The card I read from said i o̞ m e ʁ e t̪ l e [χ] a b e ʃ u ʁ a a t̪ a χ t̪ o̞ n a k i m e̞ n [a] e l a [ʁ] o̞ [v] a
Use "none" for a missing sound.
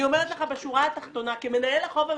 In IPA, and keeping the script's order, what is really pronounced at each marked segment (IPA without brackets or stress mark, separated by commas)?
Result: χ, a, χ, v